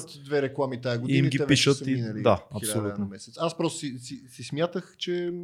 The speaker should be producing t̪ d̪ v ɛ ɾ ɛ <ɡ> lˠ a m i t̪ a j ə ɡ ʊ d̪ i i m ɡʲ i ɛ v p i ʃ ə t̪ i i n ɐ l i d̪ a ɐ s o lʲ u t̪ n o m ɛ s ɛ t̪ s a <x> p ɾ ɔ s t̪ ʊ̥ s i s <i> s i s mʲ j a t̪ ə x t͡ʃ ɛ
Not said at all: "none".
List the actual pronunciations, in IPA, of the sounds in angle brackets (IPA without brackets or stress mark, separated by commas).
k, s, i